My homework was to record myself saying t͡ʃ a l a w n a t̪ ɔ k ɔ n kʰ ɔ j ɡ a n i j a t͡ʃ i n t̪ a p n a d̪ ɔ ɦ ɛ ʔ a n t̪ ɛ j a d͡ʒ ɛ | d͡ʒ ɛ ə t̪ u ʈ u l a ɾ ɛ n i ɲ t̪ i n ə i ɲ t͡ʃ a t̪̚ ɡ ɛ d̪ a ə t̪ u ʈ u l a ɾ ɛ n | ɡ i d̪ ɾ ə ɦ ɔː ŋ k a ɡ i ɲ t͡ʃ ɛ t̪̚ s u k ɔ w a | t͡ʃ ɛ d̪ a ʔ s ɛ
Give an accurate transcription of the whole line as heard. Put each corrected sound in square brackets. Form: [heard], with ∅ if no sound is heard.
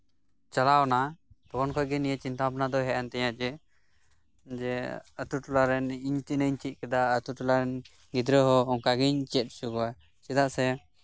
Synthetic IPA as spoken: t͡ʃ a l a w n a t̪ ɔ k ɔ n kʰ ɔ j ɡ [ɛ] n i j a t͡ʃ i n t̪ a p n a d̪ ɔ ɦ ɛ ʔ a n t̪ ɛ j a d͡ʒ ɛ | d͡ʒ ɛ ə t̪ u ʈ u l a ɾ ɛ n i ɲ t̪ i n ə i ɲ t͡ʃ [i] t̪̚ [k] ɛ d̪ a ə t̪ u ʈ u l a ɾ ɛ n | ɡ i d̪ ɾ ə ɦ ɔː ŋ k a ɡ i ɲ t͡ʃ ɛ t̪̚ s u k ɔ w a | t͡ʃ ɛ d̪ a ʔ s ɛ

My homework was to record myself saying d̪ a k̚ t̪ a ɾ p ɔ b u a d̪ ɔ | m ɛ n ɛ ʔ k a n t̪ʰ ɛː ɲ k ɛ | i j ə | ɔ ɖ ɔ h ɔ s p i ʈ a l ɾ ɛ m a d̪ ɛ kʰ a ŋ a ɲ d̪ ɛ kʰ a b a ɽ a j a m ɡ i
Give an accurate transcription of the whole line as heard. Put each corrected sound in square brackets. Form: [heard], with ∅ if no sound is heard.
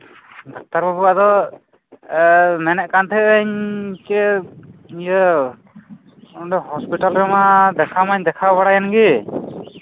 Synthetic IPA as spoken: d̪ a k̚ t̪ a ɾ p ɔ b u a d̪ ɔ | m ɛ n ɛ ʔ k a n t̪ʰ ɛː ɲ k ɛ | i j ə | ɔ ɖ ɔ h ɔ s p i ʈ a l ɾ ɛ m a d̪ ɛ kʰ a [m] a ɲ d̪ ɛ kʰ a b a ɽ a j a [n] ɡ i

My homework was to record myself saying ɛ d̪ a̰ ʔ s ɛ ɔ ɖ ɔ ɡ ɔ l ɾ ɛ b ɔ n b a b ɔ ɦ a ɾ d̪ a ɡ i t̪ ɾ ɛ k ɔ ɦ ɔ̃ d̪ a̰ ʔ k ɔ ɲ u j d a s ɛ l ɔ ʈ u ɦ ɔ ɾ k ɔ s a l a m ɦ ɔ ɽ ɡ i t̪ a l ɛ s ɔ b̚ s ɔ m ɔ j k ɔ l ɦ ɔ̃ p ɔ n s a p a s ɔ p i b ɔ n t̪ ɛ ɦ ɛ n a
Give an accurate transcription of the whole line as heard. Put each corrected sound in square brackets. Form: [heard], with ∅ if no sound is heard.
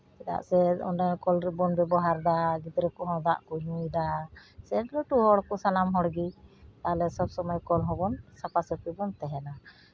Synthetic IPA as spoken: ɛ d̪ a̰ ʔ s ɛ ɔ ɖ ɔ [k] ɔ l ɾ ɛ b ɔ n b [ɛ] b ɔ ɦ a ɾ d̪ a ɡ i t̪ ɾ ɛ k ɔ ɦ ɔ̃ d̪ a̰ ʔ k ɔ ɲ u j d a s ɛ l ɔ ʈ u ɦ ɔ [ɽ] k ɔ s a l a m ɦ ɔ ɽ ɡ i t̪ a l ɛ s ɔ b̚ s ɔ m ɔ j k ɔ l ɦ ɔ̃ [b] ɔ n s a p a s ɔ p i b ɔ n t̪ ɛ ɦ ɛ n a

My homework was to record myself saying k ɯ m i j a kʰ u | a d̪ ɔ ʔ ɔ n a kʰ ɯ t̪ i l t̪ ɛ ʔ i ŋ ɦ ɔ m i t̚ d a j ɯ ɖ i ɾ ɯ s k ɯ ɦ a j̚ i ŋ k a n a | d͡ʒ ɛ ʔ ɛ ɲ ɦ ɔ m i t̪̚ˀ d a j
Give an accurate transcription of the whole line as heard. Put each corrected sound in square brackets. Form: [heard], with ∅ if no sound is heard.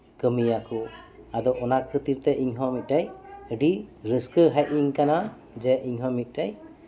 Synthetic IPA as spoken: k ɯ m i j a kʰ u | a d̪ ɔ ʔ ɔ n a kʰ ɯ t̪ i [ɾ] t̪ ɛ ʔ i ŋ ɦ ɔ m i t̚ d a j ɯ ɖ i ɾ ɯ s k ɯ ɦ a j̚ i ŋ k a n a | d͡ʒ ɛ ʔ [i] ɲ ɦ ɔ m i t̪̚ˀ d a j

